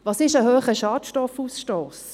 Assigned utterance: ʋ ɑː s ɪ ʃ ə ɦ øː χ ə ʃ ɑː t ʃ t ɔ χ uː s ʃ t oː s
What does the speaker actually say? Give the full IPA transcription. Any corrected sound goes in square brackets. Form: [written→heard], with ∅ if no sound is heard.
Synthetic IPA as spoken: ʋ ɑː s ɪ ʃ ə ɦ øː χ ə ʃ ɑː t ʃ t ɔ [χ→f] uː s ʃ t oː s